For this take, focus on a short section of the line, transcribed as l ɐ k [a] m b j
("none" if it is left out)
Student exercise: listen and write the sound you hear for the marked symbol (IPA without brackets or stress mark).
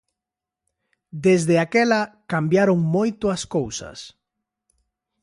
a